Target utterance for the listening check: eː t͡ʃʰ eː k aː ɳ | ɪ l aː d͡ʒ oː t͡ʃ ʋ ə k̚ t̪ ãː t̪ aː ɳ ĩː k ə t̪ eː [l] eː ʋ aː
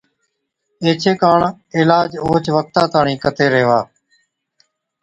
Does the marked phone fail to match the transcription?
yes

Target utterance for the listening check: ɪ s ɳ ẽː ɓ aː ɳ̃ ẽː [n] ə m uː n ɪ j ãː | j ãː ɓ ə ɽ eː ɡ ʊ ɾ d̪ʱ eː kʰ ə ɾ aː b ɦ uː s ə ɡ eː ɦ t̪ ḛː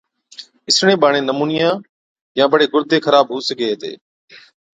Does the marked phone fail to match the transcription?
no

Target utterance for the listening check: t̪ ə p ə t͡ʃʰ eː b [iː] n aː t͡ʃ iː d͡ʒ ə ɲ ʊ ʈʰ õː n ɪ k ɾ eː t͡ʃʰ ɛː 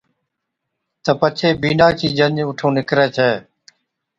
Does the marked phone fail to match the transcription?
no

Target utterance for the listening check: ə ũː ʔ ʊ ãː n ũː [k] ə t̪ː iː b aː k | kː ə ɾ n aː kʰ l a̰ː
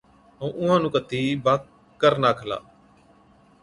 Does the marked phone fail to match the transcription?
no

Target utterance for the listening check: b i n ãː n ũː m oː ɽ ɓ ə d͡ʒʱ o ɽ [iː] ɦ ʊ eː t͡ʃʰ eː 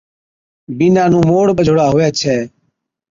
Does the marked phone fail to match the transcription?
yes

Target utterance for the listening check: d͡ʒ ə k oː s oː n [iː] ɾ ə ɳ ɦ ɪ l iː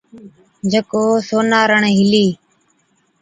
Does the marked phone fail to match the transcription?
yes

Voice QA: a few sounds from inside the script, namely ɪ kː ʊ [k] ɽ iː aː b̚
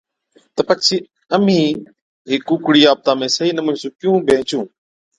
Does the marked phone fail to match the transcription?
no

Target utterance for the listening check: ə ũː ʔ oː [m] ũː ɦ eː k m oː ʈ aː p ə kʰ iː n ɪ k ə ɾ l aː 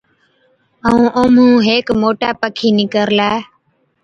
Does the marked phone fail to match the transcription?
no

